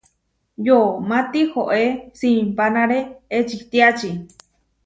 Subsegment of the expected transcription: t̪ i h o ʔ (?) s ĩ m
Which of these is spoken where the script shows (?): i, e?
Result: e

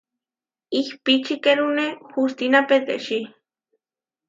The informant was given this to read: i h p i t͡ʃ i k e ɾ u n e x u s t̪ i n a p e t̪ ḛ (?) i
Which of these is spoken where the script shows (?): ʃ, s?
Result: ʃ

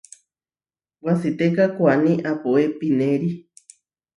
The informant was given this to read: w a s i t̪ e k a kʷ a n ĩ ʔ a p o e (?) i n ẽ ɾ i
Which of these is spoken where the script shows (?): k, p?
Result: p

